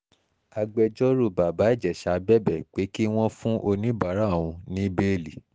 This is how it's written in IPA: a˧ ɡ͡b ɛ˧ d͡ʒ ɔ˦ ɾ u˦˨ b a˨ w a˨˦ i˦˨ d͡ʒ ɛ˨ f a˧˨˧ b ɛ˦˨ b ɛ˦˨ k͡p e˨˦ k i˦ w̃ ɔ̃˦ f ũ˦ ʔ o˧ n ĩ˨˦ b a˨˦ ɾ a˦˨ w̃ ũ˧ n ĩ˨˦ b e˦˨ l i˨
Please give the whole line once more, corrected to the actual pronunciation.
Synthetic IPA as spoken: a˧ ɡ͡b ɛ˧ d͡ʒ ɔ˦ ɾ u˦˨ b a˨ b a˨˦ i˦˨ d͡ʒ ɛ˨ ʃ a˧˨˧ b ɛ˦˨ b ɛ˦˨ k͡p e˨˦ k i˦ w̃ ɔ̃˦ f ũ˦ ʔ o˧ n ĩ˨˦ b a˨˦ ɾ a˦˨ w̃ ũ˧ n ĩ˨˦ b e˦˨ l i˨